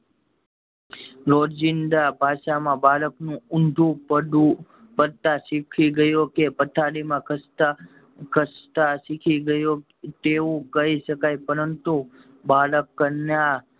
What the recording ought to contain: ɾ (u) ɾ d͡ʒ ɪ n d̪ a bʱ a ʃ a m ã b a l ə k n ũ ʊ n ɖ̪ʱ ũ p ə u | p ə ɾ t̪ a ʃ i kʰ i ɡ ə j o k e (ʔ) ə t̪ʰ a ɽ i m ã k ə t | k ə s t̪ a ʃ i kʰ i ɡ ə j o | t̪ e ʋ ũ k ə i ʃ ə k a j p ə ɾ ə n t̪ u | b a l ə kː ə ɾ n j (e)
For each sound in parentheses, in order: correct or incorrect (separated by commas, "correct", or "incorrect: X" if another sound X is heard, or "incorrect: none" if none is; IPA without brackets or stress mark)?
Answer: incorrect: o, incorrect: p, incorrect: a